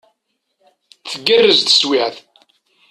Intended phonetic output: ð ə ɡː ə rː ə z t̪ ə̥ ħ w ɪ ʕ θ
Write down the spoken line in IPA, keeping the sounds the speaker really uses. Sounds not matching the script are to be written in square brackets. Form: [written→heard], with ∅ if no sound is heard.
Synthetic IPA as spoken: [ð→θ] ə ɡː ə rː ə z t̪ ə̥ [ħ→s] w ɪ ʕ θ